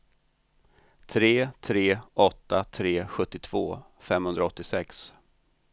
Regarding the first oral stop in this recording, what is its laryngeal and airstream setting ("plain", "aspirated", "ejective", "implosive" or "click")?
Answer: aspirated